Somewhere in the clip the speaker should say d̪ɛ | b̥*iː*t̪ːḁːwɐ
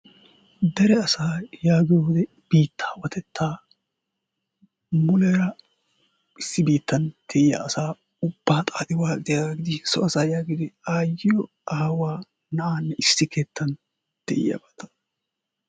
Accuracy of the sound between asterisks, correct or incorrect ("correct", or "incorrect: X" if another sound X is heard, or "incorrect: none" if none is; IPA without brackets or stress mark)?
correct